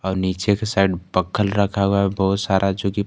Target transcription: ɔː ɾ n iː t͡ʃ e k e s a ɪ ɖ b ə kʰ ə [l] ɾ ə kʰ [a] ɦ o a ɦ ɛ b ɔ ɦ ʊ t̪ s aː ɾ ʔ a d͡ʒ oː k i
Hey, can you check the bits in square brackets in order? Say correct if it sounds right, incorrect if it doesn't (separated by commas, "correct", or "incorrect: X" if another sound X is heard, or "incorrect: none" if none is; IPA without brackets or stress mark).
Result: correct, correct